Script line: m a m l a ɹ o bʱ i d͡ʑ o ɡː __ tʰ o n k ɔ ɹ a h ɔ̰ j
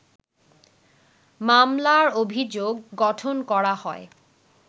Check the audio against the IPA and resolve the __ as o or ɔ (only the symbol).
ɔ